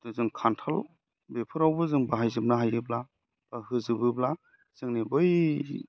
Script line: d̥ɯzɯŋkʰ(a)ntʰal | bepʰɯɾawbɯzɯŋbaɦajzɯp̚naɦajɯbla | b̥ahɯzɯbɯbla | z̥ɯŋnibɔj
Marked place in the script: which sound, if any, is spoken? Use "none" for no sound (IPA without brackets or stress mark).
a